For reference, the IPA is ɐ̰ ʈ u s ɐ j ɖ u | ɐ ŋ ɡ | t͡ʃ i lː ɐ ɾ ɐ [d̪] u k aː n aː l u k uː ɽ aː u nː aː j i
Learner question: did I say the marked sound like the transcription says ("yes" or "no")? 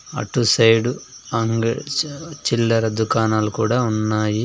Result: yes